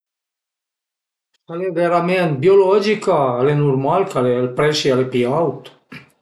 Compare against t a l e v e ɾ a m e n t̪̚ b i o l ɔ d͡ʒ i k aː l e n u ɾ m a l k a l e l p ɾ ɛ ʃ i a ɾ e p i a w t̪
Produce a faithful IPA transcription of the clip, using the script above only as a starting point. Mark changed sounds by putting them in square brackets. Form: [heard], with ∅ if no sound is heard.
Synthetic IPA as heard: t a l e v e ɾ a m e n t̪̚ b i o l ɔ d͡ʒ i k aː l e n u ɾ m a l k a l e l p ɾ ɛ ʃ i a [l] e p i a w t̪